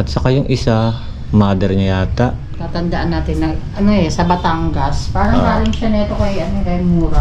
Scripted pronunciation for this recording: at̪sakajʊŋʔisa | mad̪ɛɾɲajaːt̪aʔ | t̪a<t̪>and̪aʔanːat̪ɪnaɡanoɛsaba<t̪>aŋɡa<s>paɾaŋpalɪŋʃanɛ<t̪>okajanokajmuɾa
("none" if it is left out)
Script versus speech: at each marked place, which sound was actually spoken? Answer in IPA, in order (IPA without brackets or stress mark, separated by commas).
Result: t̪, t̪, s, t̪